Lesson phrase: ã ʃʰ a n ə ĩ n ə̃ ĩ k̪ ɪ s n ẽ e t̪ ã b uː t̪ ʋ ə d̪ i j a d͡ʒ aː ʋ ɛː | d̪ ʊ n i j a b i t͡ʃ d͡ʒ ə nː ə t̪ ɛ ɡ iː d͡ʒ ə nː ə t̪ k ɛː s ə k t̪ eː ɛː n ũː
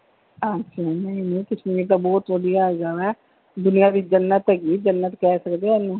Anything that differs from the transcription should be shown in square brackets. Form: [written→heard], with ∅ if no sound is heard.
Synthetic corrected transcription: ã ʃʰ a n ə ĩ n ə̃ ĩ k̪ ɪ s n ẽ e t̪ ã b [uː→ɔː] t̪ ʋ ə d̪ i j a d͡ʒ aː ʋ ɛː | d̪ ʊ n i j a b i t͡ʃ d͡ʒ ə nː ə t̪ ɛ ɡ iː d͡ʒ ə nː ə t̪ k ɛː s ə k [t̪→d̪] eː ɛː n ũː